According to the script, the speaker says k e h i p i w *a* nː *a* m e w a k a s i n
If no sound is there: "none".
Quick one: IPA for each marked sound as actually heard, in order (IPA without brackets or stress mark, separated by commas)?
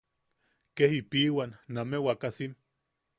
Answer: a, a